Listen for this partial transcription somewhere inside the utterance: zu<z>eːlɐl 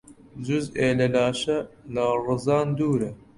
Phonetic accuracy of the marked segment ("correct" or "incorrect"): correct